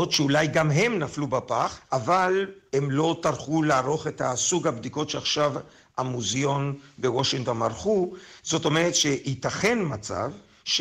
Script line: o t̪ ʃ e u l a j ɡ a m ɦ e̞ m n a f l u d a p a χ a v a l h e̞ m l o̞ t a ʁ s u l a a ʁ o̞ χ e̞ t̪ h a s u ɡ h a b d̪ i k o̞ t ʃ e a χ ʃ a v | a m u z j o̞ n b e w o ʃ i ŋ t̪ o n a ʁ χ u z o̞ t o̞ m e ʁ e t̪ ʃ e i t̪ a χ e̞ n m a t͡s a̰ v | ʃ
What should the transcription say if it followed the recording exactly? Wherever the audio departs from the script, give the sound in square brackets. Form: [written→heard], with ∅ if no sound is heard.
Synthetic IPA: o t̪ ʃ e u l a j ɡ a m ɦ e̞ m n a f l u [d→b] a p a χ a v a l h e̞ m l o̞ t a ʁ [s→χ] u l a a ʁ o̞ χ e̞ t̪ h a s u ɡ h a b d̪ i k o̞ t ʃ e a χ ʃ a v | a m u z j o̞ n b e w o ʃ i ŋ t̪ o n a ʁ χ u z o̞ t o̞ m e ʁ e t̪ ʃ e i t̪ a χ e̞ n m a t͡s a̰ v | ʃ